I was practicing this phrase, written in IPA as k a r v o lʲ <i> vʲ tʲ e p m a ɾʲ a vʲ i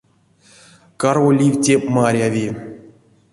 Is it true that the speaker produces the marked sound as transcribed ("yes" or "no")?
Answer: yes